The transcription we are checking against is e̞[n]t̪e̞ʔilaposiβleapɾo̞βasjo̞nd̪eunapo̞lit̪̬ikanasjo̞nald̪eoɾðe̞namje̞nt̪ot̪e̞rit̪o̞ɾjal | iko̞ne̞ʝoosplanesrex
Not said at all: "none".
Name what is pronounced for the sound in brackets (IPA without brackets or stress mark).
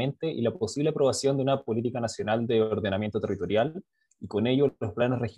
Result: n